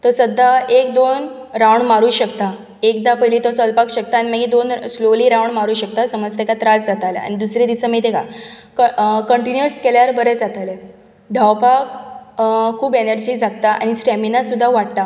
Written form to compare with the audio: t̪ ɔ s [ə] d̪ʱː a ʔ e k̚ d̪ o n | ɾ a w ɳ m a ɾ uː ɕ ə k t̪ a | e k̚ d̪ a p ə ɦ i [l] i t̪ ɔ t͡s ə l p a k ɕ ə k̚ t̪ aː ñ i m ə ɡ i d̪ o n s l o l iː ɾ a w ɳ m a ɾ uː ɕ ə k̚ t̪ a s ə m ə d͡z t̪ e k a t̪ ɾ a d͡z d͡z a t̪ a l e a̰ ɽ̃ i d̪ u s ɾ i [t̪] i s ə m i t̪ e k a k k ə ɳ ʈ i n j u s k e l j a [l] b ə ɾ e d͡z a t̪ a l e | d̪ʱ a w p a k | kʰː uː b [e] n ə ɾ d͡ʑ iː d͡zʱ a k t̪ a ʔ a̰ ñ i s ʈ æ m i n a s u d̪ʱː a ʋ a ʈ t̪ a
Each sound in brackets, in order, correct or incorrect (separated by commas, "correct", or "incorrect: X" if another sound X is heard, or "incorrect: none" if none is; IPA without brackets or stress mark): correct, correct, incorrect: d̪, incorrect: ɾ, correct